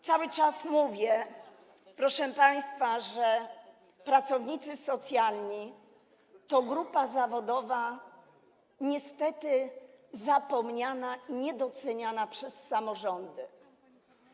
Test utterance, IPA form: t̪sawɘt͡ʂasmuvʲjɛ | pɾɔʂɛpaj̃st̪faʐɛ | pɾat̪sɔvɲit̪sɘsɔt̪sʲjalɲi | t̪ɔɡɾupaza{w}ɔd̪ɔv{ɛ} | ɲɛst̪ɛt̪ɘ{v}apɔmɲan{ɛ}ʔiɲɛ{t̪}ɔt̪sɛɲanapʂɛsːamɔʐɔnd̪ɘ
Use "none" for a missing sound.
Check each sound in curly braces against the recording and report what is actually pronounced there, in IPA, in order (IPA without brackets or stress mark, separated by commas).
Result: v, a, z, a, d̪